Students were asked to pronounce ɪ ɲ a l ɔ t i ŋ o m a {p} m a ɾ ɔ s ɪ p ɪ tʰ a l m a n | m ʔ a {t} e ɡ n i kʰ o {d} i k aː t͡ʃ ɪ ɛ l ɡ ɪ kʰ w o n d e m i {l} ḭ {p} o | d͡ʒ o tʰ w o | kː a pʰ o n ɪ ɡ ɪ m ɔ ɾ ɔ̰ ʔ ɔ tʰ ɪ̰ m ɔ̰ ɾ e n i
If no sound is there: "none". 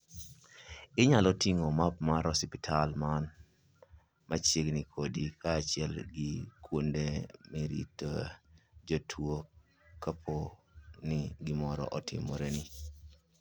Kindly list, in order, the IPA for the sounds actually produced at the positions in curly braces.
p, t͡ʃ, d, ɾ, t

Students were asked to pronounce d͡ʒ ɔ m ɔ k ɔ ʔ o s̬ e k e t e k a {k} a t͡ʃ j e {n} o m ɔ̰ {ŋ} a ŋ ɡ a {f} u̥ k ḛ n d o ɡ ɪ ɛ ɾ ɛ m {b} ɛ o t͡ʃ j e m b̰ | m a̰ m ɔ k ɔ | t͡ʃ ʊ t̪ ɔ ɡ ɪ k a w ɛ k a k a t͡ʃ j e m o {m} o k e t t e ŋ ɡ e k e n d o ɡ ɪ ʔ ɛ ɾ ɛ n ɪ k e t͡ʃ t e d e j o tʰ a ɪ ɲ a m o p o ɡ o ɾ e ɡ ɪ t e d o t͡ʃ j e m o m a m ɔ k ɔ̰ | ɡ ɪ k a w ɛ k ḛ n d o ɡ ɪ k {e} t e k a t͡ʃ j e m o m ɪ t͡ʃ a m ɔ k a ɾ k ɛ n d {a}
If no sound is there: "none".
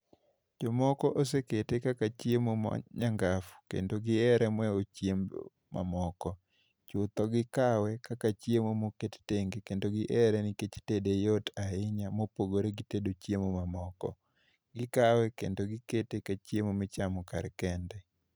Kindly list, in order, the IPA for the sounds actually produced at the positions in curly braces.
k, m, ɲ, f, w, m, e, ɛ

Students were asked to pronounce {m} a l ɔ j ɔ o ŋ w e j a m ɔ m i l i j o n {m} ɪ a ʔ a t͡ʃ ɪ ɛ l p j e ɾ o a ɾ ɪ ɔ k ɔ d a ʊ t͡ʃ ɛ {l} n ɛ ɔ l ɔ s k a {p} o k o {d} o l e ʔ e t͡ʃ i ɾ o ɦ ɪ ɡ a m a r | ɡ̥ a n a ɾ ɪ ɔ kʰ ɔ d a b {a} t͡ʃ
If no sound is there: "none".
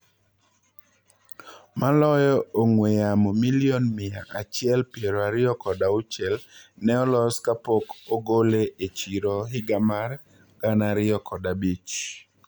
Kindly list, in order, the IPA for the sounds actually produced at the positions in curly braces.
m, m, l, p, ɡ, i

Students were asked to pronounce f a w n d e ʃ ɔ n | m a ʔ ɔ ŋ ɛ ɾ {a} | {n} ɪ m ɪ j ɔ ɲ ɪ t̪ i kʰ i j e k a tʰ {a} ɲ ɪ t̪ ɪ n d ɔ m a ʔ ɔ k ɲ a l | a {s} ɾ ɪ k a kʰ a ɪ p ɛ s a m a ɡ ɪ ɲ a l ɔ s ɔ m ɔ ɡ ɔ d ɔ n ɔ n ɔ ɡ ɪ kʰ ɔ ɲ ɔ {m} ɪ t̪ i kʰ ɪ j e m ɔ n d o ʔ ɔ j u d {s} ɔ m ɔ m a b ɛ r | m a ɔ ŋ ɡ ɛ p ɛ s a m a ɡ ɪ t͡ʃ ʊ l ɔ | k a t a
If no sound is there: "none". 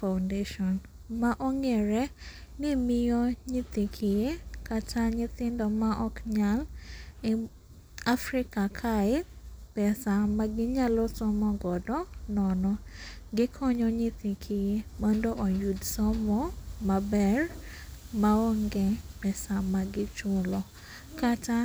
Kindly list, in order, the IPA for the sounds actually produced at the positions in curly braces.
ɛ, n, a, f, ɲ, s

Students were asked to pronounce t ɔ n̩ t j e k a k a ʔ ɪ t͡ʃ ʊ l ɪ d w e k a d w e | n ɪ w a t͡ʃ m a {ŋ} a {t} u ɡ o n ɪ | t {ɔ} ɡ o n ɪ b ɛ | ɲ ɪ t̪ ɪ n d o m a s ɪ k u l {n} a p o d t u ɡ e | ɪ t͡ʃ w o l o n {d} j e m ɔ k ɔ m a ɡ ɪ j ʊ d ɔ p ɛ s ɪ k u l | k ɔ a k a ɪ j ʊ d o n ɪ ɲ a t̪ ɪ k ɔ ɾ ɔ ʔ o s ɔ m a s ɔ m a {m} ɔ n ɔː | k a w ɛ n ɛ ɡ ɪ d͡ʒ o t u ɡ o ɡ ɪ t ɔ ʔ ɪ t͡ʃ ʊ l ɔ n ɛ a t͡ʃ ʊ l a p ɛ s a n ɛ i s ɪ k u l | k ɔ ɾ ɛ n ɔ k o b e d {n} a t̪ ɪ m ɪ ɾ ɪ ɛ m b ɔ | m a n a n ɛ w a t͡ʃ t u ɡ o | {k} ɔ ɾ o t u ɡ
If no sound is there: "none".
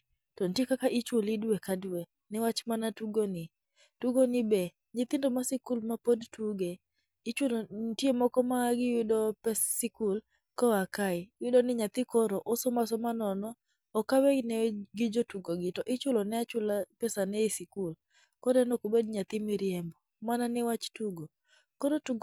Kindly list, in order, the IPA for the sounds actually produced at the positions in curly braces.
n, t, u, m, t, n, ɲ, k

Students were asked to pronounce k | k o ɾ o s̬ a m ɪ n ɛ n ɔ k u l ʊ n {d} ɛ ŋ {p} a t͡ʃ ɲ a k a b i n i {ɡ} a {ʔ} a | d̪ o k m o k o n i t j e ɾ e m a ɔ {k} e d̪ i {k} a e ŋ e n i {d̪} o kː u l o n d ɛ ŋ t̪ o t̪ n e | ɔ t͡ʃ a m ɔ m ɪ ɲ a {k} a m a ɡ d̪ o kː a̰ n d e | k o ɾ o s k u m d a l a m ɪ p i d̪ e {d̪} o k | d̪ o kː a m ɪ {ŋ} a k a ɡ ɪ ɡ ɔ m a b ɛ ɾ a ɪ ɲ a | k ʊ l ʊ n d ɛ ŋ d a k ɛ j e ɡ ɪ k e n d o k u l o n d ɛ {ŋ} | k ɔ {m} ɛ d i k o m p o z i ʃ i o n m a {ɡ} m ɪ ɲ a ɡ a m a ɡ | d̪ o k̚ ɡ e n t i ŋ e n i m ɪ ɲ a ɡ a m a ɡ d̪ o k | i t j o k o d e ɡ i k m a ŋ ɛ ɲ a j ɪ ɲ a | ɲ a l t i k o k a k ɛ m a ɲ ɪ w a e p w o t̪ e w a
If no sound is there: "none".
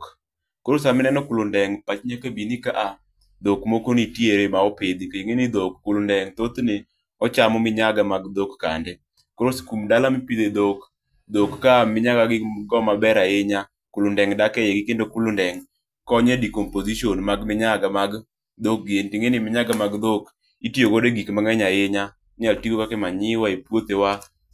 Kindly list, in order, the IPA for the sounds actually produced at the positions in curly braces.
d, p, k, ʔ, p, k, d̪, ɡ, d̪, ɲ, ŋ, ɲ, ɡ

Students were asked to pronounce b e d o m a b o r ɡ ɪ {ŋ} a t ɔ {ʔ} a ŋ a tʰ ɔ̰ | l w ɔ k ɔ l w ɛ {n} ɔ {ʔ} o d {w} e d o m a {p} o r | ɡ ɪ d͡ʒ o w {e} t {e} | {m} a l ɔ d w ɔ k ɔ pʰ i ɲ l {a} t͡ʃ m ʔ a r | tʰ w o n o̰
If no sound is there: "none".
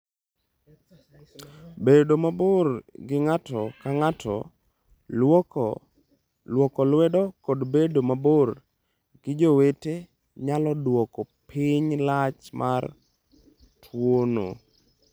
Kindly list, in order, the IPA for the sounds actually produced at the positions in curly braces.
ŋ, k, d, k, b, b, e, e, ɲ, a

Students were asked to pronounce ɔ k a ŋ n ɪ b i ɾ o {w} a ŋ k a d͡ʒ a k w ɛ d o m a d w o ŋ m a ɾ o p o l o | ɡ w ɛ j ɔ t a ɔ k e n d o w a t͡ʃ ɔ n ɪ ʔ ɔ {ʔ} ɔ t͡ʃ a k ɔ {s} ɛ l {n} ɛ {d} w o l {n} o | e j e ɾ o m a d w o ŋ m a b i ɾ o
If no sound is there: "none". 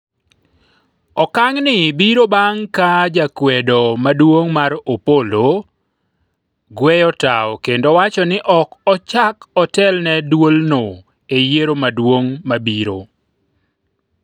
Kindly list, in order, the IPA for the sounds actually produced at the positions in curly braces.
b, k, t, n, d, n

